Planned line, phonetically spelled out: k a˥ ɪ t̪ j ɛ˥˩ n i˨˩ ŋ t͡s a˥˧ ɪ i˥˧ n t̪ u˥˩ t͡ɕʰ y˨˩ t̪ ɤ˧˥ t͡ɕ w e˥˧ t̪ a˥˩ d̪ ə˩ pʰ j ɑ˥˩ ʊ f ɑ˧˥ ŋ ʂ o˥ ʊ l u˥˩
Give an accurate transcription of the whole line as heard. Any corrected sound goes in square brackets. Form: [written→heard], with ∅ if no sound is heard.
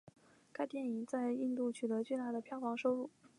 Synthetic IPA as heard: k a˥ ɪ t̪ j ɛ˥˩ n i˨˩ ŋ t͡s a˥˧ ɪ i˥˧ n t̪ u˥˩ t͡ɕʰ y˨˩ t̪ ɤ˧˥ t͡ɕ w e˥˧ t̪ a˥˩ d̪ ə˩ pʰ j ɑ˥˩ ʊ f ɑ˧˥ ŋ ʂ o˥ ʊ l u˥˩